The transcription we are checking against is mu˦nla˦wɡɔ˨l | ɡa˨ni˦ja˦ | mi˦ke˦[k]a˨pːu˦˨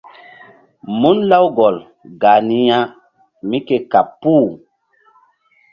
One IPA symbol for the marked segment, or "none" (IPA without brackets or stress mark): k